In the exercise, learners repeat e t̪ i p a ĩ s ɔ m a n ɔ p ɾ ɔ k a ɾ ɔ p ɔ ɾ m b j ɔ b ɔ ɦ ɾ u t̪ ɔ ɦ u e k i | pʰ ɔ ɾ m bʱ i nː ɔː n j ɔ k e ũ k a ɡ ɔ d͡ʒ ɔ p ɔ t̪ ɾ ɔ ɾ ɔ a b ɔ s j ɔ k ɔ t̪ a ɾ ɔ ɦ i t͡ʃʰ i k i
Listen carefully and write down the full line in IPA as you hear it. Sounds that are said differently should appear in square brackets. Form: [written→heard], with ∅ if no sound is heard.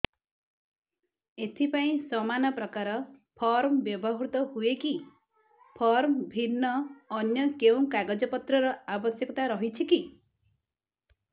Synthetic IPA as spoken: e [t̪→t̪ʰ] i p a ĩ s ɔ m a n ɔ p ɾ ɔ k a ɾ ɔ [p→pʰ] ɔ ɾ m b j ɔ b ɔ ɦ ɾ u t̪ ɔ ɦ u e k i | pʰ ɔ ɾ m bʱ i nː ɔː n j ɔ k e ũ k a ɡ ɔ d͡ʒ ɔ p ɔ t̪ ɾ ɔ ɾ ɔ a b ɔ s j ɔ k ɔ t̪ a ɾ ɔ ɦ i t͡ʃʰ i k i

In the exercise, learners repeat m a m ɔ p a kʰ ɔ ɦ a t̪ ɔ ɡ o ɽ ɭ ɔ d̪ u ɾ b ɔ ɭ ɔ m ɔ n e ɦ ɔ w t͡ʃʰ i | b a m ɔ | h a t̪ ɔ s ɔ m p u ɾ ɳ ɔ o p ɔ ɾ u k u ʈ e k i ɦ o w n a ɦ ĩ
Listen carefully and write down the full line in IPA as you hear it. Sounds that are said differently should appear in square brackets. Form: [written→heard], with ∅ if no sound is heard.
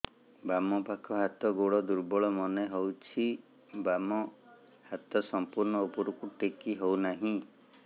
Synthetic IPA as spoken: [m→b] a m ɔ p a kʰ ɔ ɦ a t̪ ɔ ɡ o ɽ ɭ ɔ d̪ u ɾ b ɔ ɭ ɔ m ɔ n e ɦ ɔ w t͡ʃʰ i | b a m ɔ | h a t̪ ɔ s ɔ m p u ɾ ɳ ɔ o p ɔ ɾ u k u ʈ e k i ɦ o w n a ɦ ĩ

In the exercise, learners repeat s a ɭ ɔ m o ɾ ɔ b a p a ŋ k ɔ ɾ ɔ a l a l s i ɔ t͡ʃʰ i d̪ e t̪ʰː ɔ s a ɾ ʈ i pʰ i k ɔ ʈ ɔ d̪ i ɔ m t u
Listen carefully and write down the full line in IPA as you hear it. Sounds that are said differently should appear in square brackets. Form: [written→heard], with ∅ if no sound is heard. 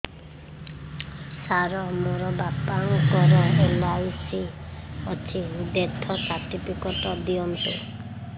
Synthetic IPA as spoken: s a [ɭ→ɾ] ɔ m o ɾ ɔ b a p a ŋ k ɔ ɾ ɔ [a→e] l a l s i ɔ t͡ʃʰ i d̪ e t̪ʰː ɔ s a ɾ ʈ i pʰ i k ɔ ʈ ɔ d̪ i ɔ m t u

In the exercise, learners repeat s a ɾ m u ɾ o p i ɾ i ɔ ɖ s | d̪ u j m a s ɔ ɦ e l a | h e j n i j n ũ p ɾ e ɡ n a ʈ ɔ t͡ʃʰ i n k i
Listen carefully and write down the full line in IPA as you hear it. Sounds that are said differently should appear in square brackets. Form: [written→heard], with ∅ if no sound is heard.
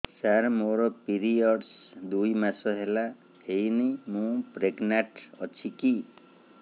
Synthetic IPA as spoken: s a ɾ m [u→o] ɾ [o→ɔ] p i ɾ i ɔ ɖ s | d̪ u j m a s ɔ ɦ e l a | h e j n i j [n→m] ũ p ɾ e ɡ n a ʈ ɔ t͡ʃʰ i [n→∅] k i

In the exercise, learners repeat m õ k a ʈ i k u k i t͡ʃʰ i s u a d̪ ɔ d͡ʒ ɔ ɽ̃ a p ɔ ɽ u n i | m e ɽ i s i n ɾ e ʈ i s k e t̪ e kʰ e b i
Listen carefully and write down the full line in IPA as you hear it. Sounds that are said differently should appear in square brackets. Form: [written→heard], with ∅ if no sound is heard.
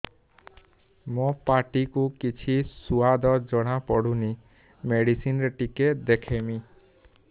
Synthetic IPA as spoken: m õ [k→p] a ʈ i k u k i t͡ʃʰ i s u a d̪ ɔ d͡ʒ ɔ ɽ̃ a p ɔ ɽ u n i | m e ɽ i s i n ɾ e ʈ i [s→∅] k e [t̪→d̪] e kʰ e [b→m] i

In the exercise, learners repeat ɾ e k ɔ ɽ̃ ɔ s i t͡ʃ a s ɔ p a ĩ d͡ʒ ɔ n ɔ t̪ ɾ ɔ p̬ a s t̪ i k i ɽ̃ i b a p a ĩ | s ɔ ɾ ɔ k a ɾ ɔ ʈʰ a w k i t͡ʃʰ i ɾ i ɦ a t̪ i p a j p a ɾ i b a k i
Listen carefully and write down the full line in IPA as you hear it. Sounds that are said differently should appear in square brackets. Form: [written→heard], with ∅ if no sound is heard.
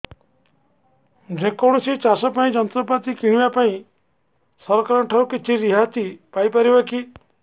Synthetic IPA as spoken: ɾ e k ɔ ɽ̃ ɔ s i t͡ʃ a s ɔ p a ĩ d͡ʒ ɔ n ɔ t̪ ɾ ɔ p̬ a [s→∅] t̪ i k i ɽ̃ i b a p a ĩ | s ɔ ɾ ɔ k a ɾ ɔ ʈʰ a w k i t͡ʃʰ i ɾ i ɦ a t̪ i p a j p a ɾ i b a k i

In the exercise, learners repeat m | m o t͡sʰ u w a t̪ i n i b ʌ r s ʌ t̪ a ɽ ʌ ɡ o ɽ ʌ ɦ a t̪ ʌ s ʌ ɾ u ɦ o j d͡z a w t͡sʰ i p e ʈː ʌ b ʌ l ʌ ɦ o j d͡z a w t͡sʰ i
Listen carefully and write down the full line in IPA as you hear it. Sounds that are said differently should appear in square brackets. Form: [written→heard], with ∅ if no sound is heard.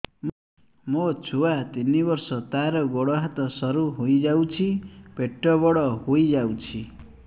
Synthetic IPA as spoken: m | m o t͡sʰ u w a t̪ i n i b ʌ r s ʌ t̪ a [ɽ→ɾ] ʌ ɡ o ɽ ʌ ɦ a t̪ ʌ s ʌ ɾ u ɦ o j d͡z a w t͡sʰ i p e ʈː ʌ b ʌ [l→ɽ] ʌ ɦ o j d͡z a w t͡sʰ i

